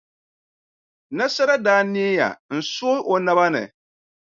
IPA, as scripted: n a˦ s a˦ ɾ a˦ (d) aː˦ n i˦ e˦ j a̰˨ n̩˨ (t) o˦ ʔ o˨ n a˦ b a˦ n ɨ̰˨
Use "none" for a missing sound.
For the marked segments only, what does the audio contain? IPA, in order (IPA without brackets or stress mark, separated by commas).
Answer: d, s